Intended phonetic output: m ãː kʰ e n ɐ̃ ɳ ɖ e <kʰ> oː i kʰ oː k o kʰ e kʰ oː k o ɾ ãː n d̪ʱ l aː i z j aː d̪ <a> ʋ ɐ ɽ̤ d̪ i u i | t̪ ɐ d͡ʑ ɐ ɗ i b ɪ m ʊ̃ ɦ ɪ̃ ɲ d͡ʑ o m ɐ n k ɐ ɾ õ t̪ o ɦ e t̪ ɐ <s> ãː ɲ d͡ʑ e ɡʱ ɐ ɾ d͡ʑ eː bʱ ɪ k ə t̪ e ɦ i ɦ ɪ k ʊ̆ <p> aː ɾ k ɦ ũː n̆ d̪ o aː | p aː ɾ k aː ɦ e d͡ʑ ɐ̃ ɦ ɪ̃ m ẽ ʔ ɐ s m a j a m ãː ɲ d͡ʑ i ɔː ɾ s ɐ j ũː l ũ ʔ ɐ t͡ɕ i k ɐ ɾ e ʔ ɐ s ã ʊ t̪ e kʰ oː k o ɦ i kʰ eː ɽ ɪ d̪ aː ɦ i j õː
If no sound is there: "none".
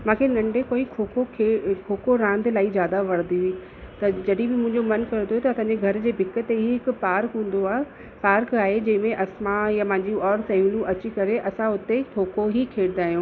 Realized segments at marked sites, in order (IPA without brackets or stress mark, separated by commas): k, a, s, p